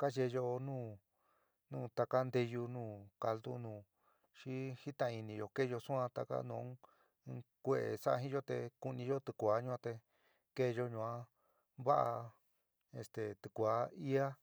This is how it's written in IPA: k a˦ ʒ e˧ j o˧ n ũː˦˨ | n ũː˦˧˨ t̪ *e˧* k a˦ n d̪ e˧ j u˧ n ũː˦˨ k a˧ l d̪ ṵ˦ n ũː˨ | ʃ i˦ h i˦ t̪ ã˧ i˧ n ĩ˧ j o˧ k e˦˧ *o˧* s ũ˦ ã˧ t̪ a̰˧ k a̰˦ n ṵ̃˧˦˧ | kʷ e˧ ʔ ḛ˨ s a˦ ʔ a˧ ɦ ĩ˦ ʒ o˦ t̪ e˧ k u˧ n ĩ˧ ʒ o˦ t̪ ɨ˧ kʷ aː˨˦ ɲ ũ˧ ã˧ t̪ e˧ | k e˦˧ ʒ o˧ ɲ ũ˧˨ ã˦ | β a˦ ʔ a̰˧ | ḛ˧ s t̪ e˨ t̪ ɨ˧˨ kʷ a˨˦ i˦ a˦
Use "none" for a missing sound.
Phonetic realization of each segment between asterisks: a˧, o˧

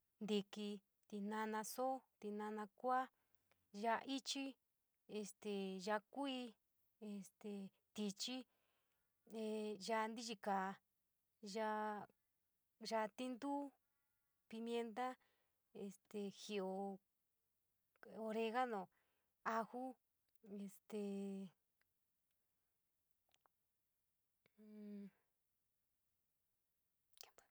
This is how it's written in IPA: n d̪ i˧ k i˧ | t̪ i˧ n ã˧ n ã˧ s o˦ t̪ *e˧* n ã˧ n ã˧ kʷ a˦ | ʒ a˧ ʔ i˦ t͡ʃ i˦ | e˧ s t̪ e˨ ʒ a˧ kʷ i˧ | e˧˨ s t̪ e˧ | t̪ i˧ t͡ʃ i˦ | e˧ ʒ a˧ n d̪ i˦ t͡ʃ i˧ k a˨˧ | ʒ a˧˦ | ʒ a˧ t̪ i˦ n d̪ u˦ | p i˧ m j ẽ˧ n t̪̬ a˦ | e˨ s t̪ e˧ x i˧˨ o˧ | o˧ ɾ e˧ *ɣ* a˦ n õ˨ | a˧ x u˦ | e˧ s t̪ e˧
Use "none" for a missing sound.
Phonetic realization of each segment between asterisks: i˧, ɣ

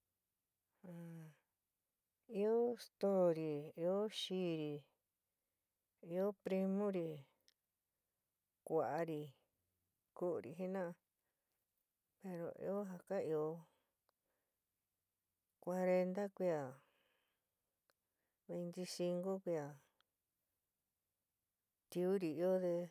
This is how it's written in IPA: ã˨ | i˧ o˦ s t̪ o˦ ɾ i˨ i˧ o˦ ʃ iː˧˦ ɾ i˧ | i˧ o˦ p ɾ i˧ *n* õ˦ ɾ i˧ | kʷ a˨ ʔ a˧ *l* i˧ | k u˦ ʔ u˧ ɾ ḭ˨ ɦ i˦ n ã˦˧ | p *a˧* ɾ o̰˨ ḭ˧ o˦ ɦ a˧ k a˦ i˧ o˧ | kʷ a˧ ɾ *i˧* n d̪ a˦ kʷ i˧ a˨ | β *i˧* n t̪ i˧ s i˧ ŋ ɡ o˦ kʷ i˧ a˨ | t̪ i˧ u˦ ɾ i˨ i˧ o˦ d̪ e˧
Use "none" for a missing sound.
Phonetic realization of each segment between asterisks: m, ɾ, e˧, e˧, e˧

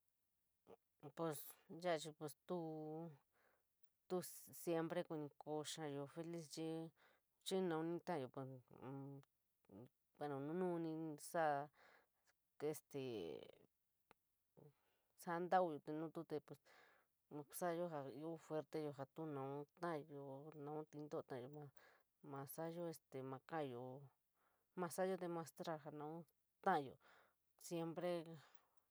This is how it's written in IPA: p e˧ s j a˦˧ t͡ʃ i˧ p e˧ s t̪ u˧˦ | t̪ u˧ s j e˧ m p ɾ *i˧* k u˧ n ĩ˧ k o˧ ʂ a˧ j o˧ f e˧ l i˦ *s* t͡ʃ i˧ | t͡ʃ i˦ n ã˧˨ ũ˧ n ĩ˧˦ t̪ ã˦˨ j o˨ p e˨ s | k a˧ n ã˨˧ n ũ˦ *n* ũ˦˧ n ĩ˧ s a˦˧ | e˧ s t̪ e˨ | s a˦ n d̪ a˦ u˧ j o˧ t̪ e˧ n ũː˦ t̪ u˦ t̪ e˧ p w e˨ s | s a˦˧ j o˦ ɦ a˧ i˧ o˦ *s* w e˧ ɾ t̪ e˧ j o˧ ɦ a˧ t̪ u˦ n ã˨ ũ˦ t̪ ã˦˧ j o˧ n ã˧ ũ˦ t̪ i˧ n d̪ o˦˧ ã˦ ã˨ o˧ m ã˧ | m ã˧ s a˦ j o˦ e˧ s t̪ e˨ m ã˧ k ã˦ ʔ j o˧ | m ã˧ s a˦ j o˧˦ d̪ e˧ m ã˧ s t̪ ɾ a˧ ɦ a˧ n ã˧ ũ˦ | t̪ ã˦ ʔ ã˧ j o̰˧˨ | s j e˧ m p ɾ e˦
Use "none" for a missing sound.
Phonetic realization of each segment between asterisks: e˧, s, n, f

